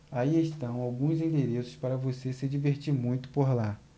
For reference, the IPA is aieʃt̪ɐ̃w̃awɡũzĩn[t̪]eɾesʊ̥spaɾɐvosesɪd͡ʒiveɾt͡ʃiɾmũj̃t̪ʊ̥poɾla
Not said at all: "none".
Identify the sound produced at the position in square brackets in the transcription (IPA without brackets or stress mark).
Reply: d̪